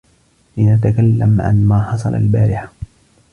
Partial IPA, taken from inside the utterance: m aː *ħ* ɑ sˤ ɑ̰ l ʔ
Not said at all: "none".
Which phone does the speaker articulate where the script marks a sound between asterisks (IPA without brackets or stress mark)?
ħ